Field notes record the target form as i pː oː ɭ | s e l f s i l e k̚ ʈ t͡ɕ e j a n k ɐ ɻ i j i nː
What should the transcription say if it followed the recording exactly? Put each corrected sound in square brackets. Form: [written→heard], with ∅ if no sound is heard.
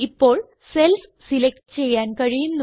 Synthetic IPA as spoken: i pː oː ɭ | s e l f s i l e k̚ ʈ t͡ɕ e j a n k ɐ ɻ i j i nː